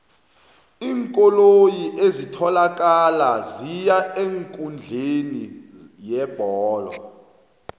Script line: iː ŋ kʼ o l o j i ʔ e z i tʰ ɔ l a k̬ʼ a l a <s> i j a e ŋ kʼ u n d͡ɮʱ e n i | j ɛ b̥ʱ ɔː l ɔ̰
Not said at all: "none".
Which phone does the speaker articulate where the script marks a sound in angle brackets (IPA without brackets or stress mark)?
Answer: z